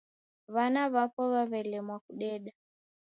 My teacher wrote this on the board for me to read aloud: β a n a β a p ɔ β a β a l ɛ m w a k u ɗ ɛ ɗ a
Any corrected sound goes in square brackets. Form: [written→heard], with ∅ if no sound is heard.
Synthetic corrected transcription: β a n a β a p ɔ β a β [a→ɛ] l ɛ m w a k u ɗ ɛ ɗ a